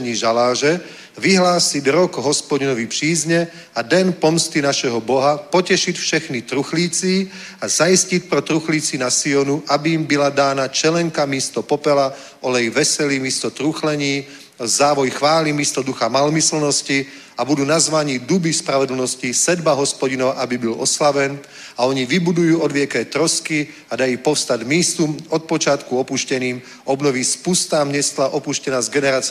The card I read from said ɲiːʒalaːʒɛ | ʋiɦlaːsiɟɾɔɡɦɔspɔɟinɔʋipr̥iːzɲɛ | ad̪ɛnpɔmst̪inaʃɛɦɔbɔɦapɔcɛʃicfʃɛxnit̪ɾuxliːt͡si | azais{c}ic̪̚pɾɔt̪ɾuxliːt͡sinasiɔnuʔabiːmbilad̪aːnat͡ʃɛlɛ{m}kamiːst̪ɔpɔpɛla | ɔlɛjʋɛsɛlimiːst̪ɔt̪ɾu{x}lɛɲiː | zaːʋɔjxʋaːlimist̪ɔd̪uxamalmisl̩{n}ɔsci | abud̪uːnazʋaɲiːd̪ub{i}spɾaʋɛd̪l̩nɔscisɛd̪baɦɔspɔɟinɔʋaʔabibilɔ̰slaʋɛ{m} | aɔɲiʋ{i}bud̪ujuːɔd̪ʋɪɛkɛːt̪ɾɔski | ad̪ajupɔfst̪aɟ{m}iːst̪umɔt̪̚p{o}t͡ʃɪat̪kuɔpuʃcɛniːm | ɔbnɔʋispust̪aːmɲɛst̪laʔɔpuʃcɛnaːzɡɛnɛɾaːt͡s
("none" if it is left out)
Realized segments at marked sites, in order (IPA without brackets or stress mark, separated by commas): c, ŋ, x, n, i, n, i, m, ɔ